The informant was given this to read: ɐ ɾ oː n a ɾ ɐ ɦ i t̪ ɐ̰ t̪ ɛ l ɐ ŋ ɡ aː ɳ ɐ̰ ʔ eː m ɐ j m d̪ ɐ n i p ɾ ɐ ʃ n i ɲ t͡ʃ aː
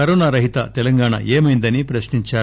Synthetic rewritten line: ɐ ɾ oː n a ɾ ɐ ɦ i t̪ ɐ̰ t̪ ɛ l ɐ ŋ ɡ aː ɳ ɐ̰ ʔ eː m ɐ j n d̪ ɐ n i p ɾ ɐ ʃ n i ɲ t͡ʃ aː